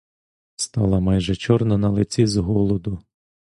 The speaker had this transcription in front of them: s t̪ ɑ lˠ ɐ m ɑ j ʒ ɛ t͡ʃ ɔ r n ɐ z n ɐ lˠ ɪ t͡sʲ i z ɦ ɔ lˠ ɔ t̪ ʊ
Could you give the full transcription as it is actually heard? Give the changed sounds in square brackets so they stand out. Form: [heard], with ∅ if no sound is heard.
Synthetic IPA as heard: s t̪ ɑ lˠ ɐ m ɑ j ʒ ɛ t͡ʃ ɔ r n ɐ [∅] n ɐ lˠ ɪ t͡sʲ i z ɦ ɔ lˠ ɔ [d̪] ʊ